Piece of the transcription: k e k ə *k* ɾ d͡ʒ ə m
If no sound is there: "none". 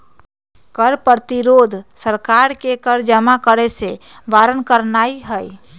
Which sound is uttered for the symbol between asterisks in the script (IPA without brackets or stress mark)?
none